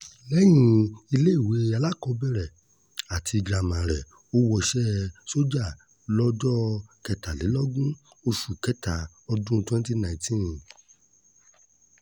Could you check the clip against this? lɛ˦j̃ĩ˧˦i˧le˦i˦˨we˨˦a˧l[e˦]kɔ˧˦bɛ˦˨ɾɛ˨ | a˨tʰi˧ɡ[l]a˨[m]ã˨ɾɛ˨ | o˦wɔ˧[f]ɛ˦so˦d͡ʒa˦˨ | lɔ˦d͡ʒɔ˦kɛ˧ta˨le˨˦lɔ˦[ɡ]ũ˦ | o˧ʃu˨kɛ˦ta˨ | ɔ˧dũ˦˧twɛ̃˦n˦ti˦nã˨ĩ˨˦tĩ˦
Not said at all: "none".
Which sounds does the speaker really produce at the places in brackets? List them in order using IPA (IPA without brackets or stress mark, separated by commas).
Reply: a˦, ɾ, m, ʃ, ɡ